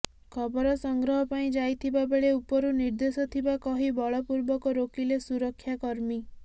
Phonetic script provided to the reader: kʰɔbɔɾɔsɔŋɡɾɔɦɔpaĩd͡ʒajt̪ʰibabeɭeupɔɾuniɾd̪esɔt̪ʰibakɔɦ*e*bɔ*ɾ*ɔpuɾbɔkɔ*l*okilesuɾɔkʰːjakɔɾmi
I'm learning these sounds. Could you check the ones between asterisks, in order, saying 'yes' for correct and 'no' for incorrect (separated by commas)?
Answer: no, no, no